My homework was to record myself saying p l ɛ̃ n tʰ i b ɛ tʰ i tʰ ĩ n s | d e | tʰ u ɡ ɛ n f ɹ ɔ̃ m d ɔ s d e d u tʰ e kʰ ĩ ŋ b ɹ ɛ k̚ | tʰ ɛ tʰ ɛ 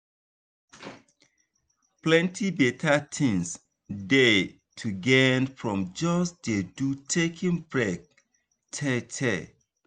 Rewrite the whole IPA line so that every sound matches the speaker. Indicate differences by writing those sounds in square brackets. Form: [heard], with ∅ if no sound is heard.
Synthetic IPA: p l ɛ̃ n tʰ i b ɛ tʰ [a] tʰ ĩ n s | d e | tʰ u ɡ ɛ n f ɹ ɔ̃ m [d͡ʒ] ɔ s d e d u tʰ e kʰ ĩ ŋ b ɹ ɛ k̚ | tʰ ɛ tʰ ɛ